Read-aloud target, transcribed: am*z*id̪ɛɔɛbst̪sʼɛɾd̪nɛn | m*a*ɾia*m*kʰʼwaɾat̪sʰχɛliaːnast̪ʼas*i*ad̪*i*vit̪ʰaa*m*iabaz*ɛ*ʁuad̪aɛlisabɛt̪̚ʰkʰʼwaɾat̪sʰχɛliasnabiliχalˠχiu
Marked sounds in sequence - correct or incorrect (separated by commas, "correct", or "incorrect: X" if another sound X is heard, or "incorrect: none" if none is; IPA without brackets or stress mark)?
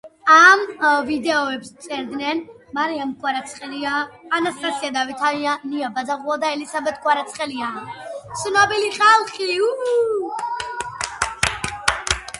incorrect: v, correct, correct, correct, incorrect: a, incorrect: n, incorrect: a